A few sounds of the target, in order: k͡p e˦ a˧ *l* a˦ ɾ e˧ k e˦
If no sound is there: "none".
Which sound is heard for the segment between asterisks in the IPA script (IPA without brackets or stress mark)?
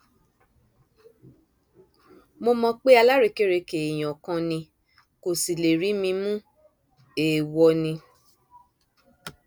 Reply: l